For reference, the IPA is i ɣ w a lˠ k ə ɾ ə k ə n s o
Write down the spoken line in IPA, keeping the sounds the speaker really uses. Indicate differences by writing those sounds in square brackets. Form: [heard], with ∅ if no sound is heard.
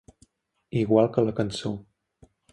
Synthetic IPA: i ɣ w a lˠ k ə [l] ə k ə n s o